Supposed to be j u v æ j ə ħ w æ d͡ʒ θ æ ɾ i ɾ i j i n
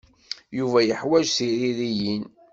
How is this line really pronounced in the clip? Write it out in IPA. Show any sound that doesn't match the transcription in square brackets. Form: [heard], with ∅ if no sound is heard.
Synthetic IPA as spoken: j u v æ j ə ħ w æ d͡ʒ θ [i] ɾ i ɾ i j i n